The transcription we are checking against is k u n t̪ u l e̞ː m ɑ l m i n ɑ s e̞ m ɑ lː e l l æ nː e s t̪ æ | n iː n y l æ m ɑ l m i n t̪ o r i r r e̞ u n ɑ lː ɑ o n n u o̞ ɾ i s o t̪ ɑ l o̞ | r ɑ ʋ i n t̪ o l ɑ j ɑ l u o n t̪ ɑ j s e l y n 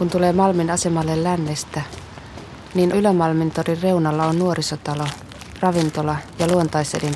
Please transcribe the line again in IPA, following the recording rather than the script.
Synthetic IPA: k u n t̪ u l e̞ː m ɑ l m i n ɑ s e̞ m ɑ lː e l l æ nː e s t̪ æ | n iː n y l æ m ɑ l m i n t̪ o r i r r e̞ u n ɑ lː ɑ o n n u o̞ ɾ i s o t̪ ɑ l o̞ | r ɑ ʋ i n t̪ o l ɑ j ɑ l u o n t̪ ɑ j s e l i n